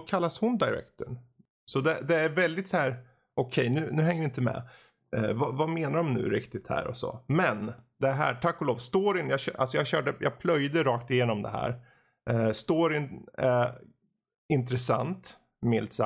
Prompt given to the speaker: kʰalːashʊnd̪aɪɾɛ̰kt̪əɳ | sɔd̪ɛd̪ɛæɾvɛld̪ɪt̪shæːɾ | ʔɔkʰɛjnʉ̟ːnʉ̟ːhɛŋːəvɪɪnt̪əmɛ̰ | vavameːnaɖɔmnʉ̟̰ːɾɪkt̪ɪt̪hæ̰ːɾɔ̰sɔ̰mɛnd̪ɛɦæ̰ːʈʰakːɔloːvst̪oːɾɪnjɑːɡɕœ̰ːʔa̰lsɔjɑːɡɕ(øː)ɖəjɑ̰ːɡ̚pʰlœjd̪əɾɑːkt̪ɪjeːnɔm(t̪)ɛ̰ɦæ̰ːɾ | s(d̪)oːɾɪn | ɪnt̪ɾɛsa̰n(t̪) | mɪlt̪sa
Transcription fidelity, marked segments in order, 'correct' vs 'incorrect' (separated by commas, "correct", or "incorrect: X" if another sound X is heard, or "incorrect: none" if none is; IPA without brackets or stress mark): incorrect: œː, incorrect: d̪, incorrect: t̪, correct